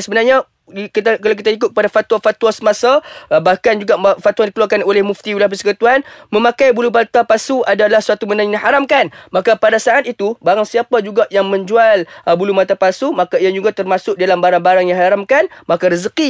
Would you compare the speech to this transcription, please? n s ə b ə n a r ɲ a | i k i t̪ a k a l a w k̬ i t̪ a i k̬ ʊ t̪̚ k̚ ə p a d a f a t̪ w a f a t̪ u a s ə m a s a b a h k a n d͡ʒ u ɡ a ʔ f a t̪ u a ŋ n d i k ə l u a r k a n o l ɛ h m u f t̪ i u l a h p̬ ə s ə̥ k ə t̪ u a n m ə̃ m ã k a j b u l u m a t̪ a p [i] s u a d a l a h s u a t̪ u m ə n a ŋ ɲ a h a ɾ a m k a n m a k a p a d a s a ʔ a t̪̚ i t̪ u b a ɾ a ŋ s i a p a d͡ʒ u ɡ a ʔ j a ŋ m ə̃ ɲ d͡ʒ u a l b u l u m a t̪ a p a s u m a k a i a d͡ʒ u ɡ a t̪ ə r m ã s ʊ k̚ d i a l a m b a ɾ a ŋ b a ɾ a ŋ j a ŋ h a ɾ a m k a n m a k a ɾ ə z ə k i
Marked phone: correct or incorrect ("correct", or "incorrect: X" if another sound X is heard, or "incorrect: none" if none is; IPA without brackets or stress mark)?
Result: incorrect: a